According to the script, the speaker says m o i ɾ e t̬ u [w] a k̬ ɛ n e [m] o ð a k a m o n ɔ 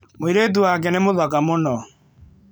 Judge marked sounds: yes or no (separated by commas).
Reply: yes, yes